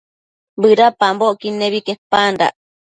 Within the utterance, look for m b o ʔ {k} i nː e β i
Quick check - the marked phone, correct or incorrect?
correct